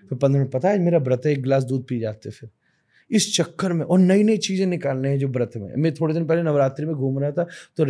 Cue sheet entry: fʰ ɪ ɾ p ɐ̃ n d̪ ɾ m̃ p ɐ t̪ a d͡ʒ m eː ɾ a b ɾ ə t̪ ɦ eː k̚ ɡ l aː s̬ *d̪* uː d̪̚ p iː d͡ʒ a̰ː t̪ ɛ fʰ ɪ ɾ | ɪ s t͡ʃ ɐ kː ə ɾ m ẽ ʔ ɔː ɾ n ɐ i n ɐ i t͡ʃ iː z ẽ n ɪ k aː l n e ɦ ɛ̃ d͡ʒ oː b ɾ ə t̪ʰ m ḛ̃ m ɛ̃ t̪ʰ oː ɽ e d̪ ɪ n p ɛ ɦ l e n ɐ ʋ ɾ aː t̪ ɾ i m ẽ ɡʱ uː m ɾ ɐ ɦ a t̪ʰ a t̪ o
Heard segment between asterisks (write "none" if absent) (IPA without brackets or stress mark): d̪